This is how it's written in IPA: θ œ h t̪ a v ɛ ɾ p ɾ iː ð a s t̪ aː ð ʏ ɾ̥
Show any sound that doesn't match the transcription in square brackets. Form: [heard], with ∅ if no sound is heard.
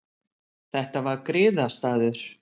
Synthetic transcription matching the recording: θ [ɛ] h t̪ a v [a] ɾ [k] ɾ [ɪː] ð a s t̪ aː ð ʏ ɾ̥